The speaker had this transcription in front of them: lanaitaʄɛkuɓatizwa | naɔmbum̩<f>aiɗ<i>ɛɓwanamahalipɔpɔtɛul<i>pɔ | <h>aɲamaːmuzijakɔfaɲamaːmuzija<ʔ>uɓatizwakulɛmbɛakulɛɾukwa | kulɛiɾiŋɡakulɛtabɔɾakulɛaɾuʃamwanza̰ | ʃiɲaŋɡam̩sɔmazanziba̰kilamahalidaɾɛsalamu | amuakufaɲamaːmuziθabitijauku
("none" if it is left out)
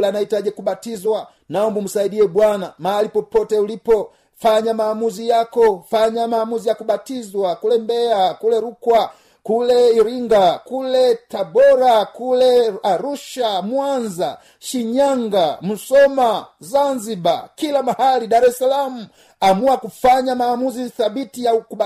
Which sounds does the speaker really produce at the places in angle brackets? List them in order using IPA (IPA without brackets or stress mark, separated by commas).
s, i, i, f, k